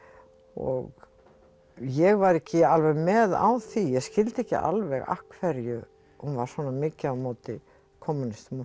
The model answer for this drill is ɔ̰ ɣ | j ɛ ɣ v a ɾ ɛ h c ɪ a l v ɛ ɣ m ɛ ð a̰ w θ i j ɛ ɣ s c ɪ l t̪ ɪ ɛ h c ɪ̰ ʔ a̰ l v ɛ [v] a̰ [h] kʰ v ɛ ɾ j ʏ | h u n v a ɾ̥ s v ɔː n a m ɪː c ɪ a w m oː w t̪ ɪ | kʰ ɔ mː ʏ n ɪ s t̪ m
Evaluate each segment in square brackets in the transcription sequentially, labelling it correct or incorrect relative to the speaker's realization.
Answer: incorrect: ɣ, correct

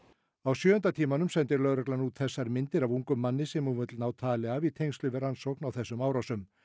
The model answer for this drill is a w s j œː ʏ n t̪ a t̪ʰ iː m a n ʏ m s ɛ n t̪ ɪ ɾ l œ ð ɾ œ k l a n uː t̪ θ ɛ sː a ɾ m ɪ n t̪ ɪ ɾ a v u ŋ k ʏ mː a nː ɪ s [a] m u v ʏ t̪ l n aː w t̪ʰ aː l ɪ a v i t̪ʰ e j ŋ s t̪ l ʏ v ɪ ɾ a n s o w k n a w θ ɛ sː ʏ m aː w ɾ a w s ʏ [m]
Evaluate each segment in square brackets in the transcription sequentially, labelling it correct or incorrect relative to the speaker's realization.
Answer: incorrect: ɛ, correct

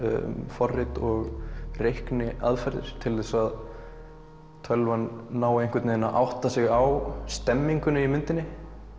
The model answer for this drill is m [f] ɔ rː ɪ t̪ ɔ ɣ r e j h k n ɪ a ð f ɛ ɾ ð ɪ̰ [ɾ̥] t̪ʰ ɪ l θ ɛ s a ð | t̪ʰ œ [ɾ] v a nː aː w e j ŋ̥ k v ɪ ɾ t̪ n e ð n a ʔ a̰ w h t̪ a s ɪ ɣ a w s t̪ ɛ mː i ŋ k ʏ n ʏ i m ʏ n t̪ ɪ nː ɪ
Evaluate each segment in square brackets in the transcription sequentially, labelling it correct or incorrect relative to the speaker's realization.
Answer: correct, correct, incorrect: l

